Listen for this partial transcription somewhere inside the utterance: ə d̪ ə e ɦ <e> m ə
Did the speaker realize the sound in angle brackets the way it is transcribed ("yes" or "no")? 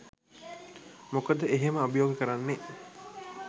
yes